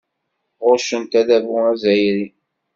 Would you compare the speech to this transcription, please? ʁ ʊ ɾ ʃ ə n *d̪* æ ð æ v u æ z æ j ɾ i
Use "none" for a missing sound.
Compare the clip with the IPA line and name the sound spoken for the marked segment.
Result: t̪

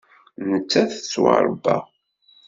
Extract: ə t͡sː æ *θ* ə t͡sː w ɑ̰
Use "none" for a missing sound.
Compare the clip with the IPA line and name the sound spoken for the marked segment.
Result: θ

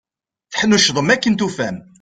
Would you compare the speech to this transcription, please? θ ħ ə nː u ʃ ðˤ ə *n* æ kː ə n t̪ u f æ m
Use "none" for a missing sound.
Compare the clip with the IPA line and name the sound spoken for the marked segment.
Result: m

